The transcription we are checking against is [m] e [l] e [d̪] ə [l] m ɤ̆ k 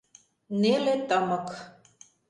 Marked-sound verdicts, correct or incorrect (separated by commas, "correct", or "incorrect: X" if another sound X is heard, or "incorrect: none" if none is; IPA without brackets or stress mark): incorrect: n, correct, incorrect: t̪, incorrect: none